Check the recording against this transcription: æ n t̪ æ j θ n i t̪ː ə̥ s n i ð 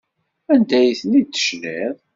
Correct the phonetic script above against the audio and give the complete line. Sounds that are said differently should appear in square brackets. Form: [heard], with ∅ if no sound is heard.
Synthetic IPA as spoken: æ n [d̪] æ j θ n i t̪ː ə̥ [ʃ] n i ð